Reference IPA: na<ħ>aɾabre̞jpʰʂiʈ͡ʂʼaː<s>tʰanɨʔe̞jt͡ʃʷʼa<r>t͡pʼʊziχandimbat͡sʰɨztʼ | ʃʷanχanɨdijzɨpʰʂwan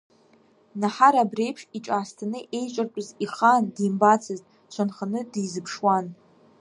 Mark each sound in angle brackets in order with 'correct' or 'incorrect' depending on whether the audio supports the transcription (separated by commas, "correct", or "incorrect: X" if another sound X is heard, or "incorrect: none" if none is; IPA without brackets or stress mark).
correct, correct, correct